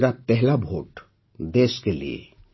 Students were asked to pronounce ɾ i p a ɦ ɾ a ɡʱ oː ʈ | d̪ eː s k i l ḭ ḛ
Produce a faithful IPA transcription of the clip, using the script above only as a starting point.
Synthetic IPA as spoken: ɾ a p ɛ ɦ l a bʱ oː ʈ | d̪ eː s k e l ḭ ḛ